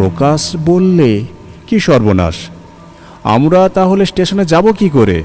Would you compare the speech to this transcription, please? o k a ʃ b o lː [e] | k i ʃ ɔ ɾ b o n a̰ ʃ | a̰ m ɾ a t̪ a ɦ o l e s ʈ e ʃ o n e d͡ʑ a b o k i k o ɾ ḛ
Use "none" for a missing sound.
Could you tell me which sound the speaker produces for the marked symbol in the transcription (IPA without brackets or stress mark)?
e